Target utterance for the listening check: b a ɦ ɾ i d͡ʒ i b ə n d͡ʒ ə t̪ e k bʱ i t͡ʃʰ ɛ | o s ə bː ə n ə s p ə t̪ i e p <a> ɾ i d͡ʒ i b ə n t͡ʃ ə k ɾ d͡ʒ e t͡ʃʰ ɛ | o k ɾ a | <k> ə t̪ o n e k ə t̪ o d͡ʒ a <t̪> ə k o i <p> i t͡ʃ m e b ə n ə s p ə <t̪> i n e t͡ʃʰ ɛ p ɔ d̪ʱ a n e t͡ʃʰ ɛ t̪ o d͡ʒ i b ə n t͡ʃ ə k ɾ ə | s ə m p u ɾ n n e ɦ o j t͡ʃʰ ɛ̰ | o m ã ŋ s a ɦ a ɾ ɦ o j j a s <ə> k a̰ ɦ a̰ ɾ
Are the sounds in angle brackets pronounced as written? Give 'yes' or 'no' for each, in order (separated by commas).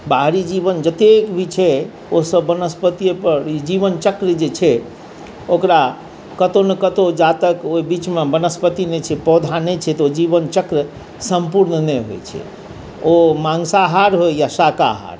no, yes, yes, no, yes, no